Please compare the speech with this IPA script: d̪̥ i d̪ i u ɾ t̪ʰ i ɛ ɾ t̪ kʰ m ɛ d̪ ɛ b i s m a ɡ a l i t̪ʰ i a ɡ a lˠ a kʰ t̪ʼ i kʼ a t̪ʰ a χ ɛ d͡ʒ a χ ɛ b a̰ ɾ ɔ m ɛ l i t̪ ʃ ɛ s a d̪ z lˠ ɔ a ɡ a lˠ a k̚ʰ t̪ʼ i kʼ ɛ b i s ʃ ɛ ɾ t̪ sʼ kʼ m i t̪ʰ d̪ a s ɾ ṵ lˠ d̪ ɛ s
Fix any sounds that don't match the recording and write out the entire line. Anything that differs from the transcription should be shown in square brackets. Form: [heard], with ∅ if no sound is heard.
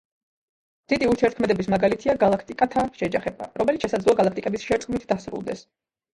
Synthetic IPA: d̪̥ i d̪ i u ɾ t̪ʰ i ɛ ɾ t̪ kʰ m ɛ d̪ ɛ b i s m a ɡ a l i t̪ʰ i a ɡ a lˠ a kʰ t̪ʼ i kʼ a t̪ʰ a [ʃ] ɛ d͡ʒ a χ ɛ b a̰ ɾ ɔ m ɛ l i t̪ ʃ ɛ s a d̪ z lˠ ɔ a ɡ a lˠ a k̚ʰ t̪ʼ i kʼ ɛ b i s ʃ ɛ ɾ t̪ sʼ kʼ m i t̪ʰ d̪ a s ɾ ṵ lˠ d̪ ɛ s